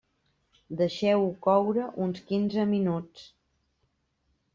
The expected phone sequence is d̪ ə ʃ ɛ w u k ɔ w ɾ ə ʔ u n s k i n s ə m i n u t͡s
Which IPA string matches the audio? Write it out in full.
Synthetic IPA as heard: d̪ ə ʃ ɛ w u k ɔ w ɾ ə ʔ u n s k i n z ə m i n u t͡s

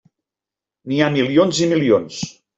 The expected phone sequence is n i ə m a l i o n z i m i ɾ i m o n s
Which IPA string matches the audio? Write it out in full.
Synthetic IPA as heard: n i a m i l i o n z i m i l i o n s

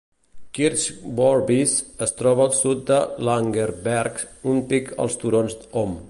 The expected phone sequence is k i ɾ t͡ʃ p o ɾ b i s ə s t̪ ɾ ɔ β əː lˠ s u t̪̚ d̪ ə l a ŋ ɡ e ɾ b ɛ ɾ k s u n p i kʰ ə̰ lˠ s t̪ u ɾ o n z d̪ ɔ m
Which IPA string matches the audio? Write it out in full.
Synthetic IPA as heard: k i ɾ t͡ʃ b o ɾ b i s ə s t̪ ɾ ɔ β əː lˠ s u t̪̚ d̪ ə l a ŋ ɡ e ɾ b ɛ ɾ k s u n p i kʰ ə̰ lˠ s t̪ u ɾ o n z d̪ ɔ m

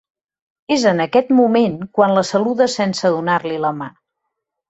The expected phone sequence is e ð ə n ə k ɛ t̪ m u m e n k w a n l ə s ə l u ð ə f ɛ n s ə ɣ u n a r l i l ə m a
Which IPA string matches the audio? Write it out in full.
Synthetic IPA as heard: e z ə n ə k ɛ t̪ m u m e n k w a n l ə s ə l u ð ə s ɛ n s ə ð u n a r l i l ə m a

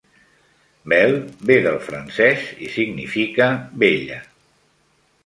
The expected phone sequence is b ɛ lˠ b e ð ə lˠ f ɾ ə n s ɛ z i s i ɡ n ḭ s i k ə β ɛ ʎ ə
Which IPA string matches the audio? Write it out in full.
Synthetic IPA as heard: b ɛ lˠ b e ð ə lˠ f ɾ ə n s ɛ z i s i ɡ n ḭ f i k ə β e ʎ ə

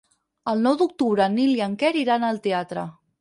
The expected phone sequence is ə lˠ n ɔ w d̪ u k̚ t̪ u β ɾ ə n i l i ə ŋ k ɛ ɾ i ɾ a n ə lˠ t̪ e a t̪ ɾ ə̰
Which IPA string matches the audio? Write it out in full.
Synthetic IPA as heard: ə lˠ n ɔ w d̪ u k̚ t̪ u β ɾ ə n i l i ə ŋ k ɛ ɾ i ɾ a n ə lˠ t̪ e a t̪ ɾ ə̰

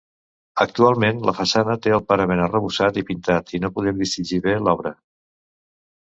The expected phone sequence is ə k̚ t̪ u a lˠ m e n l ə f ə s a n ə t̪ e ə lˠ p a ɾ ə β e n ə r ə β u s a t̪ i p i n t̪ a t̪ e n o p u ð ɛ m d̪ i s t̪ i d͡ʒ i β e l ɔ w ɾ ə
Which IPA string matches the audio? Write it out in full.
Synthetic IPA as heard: ə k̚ t̪ u a lˠ m e n l ə f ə s a n ə t̪ e ə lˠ p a ɾ ə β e n ə r ə β u s a t̪ i p i n t̪ a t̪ i n o p u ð ɛ m d̪ i s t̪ i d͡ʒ i β e l ɔ β ɾ ə

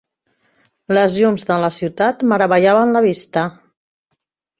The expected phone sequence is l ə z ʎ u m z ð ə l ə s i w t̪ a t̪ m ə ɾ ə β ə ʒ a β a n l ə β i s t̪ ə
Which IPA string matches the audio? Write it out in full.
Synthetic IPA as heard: l ə z ʎ u m z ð ə l ə s i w t̪ a t̪ m ə ɾ ə β ə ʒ a β ə n l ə β i s t̪ ə

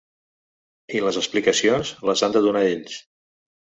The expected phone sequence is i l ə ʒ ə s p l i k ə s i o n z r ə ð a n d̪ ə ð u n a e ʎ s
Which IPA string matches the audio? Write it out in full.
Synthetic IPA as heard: i l ə z ə s p l i k ə s i o n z l ə z a n d̪ ə ð u n a e ʎ s

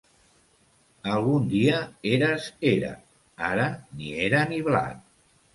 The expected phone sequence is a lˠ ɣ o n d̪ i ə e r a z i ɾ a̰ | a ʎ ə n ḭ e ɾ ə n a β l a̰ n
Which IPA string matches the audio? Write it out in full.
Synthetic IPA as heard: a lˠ ɣ u n d̪ i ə e ɾ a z e ɾ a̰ | a ɾ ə n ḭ e ɾ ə n i β l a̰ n

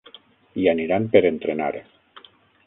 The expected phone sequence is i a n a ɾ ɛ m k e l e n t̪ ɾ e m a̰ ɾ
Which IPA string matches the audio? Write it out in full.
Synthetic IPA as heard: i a n i ɾ a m p e ɾ e n t̪ ɾ e n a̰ ɾ

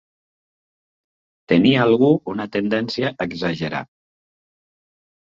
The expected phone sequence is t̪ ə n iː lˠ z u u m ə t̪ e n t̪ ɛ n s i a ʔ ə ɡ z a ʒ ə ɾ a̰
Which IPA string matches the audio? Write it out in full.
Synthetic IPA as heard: t̪ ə n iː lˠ ɣ u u n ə t̪ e n d̪ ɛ n s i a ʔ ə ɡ z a ʒ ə ɾ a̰

